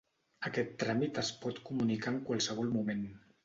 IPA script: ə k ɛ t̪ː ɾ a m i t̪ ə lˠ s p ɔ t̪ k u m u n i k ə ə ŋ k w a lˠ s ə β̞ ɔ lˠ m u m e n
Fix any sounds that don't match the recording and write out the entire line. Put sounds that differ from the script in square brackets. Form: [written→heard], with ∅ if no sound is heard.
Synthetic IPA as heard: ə k ɛ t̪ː ɾ a m i t̪ ə [lˠ→∅] s p ɔ t̪ k u m u n i k [ə→a] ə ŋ k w a lˠ s ə β̞ ɔ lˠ m u m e n